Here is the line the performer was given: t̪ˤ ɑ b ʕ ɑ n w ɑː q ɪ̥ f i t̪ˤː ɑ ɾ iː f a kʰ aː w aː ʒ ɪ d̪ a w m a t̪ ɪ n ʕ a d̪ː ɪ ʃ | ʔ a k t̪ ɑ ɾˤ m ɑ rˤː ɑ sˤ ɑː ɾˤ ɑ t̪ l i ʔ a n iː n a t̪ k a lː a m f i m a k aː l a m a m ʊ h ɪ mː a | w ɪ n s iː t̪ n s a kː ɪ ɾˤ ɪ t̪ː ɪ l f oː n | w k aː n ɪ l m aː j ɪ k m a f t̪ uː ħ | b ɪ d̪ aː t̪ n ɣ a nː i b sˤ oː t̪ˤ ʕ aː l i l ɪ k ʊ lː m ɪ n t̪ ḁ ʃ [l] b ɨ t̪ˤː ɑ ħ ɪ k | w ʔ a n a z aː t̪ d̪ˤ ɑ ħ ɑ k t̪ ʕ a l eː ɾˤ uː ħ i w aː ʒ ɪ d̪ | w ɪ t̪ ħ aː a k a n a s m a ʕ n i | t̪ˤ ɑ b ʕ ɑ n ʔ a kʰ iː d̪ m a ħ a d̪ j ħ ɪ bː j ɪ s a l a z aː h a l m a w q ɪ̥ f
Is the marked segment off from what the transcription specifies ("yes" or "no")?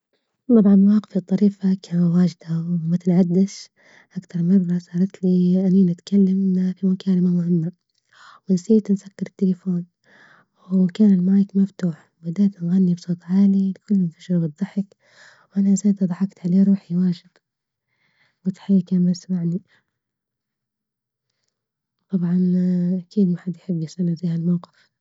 yes